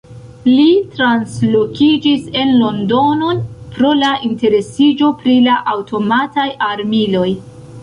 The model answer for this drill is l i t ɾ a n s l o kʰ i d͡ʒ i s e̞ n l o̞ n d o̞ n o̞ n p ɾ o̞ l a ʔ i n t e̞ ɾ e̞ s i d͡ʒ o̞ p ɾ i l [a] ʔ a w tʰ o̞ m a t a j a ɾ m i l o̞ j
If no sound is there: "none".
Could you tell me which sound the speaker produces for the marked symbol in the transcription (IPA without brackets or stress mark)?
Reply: a